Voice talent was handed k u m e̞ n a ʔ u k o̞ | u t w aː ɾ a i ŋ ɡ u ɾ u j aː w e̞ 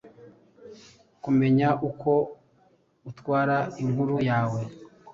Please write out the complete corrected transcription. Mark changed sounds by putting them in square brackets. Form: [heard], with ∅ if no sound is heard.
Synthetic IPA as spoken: k u m e̞ [ɲ] a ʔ u k o̞ | u t w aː ɾ a i ŋ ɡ u ɾ u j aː w e̞

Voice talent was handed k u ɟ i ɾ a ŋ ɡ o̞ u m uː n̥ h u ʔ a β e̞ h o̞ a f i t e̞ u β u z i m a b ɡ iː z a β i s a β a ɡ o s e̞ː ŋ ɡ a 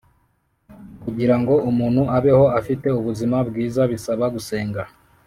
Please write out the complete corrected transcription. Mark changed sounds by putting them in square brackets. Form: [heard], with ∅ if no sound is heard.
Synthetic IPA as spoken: k u ɟ i ɾ a ŋ ɡ o̞ u m uː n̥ h u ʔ a β e̞ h o̞ a f i t e̞ u β u z i m a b ɡ iː z a β i s a β a ɡ [u] s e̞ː ŋ ɡ a

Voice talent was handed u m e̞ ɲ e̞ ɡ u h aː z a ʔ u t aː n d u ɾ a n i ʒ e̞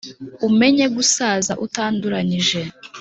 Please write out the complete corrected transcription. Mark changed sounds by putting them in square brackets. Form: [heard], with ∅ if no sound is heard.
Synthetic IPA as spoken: u m e̞ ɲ e̞ ɡ u [s] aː z a ʔ u t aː n d u ɾ a [ɲ] i ʒ e̞

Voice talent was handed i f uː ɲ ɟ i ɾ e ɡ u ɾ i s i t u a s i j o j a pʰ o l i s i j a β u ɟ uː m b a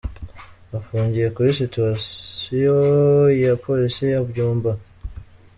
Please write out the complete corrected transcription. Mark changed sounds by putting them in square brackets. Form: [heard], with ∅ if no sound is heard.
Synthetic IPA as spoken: [a] f uː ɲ ɟ i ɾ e [k] u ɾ i s i t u a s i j o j a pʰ o l i s i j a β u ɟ uː m b a

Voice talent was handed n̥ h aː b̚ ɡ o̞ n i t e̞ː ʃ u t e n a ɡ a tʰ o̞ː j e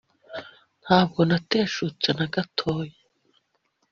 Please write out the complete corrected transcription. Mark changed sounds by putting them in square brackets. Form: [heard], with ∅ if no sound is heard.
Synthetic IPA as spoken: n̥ h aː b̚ ɡ o̞ n [a] t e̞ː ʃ u [t͡s] e n a ɡ a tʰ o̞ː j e

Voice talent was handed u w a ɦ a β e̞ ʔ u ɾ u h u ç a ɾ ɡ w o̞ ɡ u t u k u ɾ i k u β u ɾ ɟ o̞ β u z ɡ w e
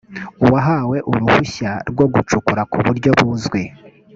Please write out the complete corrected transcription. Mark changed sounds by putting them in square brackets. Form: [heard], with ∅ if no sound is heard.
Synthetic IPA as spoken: u w a ɦ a [w] e̞ ʔ u ɾ u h u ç a ɾ ɡ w o̞ ɡ u [t͡ʃ] u k u ɾ [a] k u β u ɾ ɟ o̞ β u z ɡ w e

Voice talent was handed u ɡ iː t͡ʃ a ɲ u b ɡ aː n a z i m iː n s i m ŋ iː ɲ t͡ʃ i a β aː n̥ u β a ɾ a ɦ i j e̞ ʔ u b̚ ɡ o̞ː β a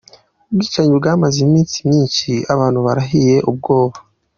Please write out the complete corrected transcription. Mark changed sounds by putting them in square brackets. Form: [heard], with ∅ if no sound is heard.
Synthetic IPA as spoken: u ɡ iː t͡ʃ a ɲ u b ɡ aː [m] a z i m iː n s i m [ɲ] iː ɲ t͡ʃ i a β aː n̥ u β a ɾ a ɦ i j e̞ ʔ u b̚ ɡ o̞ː β a

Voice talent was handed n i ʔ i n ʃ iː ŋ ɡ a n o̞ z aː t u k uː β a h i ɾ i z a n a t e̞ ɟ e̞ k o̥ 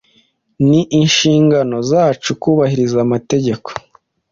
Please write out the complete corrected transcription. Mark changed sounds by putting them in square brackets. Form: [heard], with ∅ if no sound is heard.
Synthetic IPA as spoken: n i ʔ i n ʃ iː ŋ ɡ a n o̞ z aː [t͡ʃ] u k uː β a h i ɾ i z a [m] a t e̞ ɟ e̞ k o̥

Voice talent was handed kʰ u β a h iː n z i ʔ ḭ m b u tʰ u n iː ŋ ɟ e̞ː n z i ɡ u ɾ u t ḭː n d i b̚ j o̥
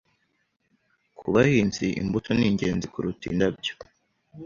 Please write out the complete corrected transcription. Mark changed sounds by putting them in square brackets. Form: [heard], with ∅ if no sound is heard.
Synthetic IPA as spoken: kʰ u β a h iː n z i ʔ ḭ m b u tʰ [o] n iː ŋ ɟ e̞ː n z i [k] u ɾ u t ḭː n d [a] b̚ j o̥

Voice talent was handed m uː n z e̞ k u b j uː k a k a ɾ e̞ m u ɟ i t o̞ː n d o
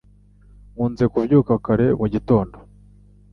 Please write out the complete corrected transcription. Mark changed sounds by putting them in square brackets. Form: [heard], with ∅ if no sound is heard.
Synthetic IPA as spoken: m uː n z e̞ k u [v] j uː k a k a ɾ e̞ m u ɟ i t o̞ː n d o

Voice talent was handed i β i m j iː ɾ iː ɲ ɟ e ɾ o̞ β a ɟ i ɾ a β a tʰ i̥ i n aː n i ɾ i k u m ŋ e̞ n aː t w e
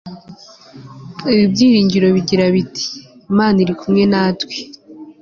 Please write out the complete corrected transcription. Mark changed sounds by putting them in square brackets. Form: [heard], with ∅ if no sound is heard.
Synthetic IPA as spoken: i β i [b] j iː ɾ iː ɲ ɟ [i] ɾ o̞ β [i] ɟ i ɾ a β [i] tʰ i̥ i [m] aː n i ɾ i k u m ŋ e̞ n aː t w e

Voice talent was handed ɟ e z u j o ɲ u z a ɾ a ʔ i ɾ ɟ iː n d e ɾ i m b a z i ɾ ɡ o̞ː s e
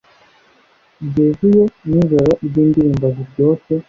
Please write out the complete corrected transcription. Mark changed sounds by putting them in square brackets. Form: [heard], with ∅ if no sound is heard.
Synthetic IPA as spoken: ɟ e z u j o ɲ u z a ɾ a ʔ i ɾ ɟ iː n d [i] ɾ [iː] m b a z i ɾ [ɟ] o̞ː s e

